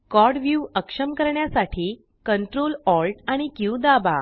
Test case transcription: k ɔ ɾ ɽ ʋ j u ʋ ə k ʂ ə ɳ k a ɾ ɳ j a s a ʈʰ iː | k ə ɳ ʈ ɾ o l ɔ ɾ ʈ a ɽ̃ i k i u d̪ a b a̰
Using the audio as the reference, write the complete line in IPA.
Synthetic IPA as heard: k ɔ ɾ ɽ ʋ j u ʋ ə k ʂ ə m k ə ɾ ɳ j a s a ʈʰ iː | k ə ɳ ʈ ɾ o l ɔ l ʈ a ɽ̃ i k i u d̪ a b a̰

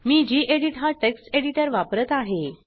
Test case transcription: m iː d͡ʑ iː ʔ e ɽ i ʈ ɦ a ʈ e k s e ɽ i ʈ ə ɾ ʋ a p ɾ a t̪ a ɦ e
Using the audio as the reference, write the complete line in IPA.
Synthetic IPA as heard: m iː d͡ʑ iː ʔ e ɽ i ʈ ɦ a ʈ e k s e ɽ i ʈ ə ɾ ʋ a p ɾ ə t̪ a ɦ e

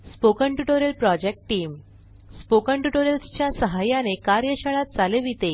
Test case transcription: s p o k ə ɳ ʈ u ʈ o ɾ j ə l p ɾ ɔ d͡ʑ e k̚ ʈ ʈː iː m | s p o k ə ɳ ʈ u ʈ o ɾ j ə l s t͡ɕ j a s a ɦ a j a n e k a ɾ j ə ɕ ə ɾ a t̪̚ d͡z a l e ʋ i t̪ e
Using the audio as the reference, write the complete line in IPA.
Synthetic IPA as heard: s p o k ə ɳ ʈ u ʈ o ɾ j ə l p ɾ ɔ d͡ʑ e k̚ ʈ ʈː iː m | s p o k ə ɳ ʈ u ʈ o ɾ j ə l s t͡ɕ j a s ə ɦ a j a n e k a ɾ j ə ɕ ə ɭ a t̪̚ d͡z a l e ʋ i t̪ e

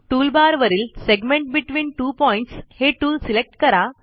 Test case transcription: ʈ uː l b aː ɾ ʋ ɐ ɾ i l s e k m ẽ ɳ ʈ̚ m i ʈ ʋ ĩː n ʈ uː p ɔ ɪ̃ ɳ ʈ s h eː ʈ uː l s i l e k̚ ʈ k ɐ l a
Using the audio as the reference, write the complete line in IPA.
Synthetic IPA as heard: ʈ uː l b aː ɾ ʋ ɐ ɾ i l s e ɡ m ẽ ɳ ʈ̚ b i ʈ ʋ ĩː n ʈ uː p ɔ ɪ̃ ɳ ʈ s h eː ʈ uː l s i l e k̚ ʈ k ɐ ɾ a

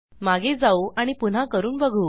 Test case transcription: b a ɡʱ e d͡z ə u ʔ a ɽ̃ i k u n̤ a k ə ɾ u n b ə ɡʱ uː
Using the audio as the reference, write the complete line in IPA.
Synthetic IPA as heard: m a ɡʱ e d͡z a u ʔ a ɽ̃ i p u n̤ a k ə ɾ uː n b ə ɡʱ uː

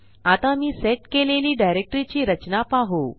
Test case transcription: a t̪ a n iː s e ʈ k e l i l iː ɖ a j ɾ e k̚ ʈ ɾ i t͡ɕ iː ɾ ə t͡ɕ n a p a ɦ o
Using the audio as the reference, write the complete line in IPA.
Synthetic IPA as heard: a t̪ a m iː s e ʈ k e l e l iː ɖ a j ɾ e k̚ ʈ ɾ i t͡ɕ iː ɾ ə t͡ɕ n a p a ɦ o

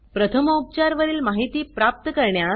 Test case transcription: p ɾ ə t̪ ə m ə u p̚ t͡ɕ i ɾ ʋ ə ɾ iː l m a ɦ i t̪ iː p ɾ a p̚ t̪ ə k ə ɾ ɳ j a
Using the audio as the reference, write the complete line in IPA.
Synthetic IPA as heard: p ɾ ə t̪ʰ ə m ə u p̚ t͡ɕ a ɾ ʋ ə ɾ iː l m a ɦ i t̪ iː p ɾ a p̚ t̪ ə k ə ɾ ɳ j a

